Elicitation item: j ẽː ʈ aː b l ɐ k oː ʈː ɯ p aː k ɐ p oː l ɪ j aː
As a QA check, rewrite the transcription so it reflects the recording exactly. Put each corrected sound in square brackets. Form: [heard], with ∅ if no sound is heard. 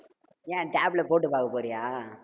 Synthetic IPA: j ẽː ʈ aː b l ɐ [p] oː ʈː ɯ p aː k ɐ p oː [ɾ] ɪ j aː